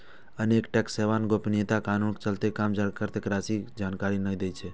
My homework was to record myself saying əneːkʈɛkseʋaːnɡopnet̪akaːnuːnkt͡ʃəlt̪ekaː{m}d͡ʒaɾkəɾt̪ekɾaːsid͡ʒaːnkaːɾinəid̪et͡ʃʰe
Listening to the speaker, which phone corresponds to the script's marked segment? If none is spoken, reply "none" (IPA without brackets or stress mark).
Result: m